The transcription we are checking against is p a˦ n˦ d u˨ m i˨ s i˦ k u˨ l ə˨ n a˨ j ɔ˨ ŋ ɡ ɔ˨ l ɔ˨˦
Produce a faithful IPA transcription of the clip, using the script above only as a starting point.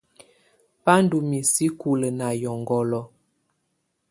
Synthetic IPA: p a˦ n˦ d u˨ m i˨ s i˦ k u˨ l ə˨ n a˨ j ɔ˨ ŋ ɡ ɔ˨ l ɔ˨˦